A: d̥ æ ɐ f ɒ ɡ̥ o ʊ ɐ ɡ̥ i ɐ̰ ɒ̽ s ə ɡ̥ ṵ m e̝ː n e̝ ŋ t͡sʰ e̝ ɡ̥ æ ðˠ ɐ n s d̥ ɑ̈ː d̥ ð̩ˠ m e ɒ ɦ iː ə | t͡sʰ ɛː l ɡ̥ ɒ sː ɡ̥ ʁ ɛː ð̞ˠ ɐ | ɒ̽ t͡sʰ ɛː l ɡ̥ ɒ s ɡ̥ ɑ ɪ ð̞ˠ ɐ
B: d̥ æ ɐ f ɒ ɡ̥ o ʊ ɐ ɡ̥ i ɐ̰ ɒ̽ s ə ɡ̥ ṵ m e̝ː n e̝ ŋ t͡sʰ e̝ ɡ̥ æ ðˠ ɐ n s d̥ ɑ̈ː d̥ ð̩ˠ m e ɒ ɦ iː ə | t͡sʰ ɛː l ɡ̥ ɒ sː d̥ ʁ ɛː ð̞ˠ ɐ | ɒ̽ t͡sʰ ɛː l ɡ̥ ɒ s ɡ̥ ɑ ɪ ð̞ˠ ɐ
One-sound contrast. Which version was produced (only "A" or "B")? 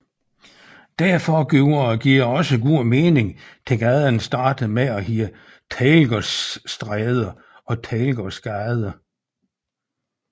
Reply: B